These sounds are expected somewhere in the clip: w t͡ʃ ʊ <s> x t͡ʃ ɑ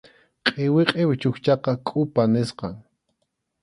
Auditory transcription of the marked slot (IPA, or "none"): none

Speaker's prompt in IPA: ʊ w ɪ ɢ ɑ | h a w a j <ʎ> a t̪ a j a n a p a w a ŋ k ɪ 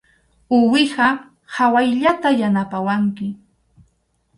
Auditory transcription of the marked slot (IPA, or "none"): ʎ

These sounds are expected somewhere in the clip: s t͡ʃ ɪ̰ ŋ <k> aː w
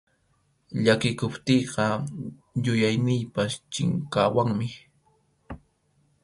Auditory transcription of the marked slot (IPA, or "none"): k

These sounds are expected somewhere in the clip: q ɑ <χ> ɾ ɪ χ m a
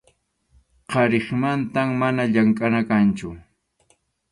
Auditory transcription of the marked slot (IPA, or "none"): none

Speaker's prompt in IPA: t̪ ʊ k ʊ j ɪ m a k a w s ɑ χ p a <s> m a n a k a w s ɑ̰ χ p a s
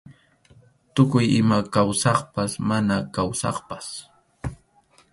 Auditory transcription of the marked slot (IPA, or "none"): s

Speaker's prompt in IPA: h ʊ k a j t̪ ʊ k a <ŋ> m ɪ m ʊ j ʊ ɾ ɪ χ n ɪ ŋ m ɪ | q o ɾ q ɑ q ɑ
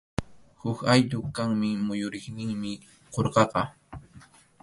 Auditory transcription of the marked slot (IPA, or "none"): ŋ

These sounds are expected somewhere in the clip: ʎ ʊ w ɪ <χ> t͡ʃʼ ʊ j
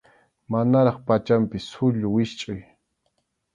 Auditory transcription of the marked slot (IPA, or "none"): ʃ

